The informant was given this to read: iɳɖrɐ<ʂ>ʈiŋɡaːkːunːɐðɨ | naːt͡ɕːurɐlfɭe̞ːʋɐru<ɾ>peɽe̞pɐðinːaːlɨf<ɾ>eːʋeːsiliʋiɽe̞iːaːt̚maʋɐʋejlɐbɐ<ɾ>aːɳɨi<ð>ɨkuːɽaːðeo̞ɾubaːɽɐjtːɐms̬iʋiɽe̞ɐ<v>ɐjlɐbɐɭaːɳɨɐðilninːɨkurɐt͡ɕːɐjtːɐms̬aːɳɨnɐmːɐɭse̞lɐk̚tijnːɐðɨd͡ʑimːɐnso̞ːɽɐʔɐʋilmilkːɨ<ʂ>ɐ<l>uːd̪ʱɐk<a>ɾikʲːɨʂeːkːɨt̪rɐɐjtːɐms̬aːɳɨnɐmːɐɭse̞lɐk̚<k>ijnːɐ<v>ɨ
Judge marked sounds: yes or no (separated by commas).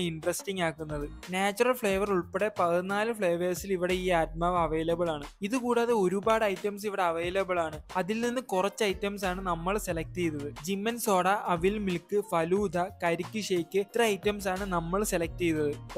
no, no, no, no, yes, no, no, yes, no, no, no